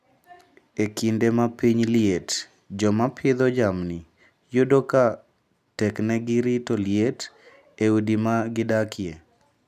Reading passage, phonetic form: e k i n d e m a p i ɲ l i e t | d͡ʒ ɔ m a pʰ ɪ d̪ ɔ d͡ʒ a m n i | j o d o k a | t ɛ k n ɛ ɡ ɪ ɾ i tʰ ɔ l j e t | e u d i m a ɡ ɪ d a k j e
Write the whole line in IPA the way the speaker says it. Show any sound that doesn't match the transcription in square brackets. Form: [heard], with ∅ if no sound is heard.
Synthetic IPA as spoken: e k i n d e m a p i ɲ l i e t | d͡ʒ ɔ m a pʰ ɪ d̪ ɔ d͡ʒ a m n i | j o d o k a | t ɛ k n ɛ ɡ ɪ ɾ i [t] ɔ l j e t | e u d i m a ɡ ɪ d a k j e